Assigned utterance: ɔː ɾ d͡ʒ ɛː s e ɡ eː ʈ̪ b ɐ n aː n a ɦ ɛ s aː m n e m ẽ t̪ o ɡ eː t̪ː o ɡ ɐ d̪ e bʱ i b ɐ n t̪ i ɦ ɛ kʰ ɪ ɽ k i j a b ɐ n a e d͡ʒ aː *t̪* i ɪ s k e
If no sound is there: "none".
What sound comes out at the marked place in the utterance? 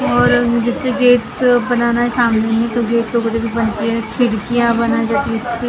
t̪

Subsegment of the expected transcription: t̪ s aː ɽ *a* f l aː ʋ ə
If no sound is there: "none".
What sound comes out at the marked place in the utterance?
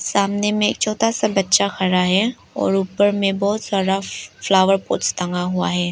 a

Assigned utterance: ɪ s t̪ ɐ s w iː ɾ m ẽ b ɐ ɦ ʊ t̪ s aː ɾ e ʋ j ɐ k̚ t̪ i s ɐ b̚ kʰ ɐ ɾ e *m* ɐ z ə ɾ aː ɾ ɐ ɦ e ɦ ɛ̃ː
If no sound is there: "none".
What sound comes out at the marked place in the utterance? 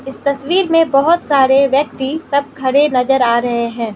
n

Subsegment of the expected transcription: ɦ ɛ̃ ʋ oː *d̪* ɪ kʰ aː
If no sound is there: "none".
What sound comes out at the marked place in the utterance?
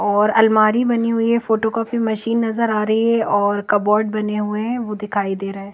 d̪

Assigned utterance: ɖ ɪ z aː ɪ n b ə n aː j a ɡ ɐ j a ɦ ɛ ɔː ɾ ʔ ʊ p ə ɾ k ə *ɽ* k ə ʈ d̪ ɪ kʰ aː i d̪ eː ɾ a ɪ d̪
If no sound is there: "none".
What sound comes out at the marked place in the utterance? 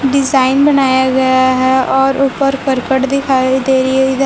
ɾ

